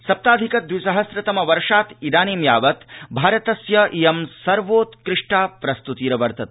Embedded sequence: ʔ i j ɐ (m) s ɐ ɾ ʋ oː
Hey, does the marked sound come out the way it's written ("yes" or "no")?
yes